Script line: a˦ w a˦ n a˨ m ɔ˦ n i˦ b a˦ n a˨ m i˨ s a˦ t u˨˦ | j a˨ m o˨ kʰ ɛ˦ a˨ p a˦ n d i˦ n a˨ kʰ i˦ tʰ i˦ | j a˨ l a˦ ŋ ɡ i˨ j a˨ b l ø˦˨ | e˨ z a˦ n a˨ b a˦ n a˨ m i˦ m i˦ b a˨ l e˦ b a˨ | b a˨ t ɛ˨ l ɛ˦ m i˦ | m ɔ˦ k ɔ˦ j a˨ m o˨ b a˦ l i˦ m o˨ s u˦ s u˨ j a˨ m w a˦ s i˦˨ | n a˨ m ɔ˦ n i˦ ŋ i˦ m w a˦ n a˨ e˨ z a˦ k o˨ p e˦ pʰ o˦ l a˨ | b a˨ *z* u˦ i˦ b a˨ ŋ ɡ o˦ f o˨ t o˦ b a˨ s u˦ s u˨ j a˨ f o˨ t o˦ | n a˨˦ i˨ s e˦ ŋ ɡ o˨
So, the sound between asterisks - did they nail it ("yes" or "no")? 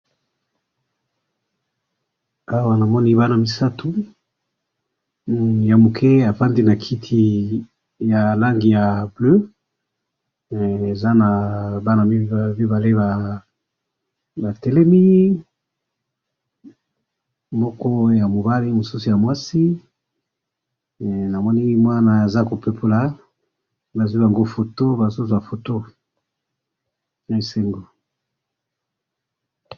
yes